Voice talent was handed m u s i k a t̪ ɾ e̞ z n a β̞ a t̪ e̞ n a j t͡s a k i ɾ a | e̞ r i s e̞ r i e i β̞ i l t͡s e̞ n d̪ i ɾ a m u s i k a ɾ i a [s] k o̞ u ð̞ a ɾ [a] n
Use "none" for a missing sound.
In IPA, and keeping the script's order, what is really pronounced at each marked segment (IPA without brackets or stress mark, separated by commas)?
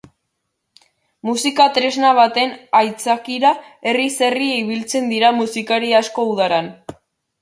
s, a